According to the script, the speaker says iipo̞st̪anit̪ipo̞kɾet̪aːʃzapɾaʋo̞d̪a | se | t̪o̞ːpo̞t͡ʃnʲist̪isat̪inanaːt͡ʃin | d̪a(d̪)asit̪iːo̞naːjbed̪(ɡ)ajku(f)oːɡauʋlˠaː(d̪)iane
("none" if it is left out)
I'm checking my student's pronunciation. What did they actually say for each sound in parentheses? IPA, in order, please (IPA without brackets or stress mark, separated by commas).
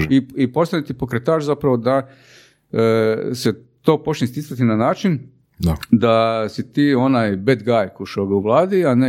d̪, ɡ, ʃ, d̪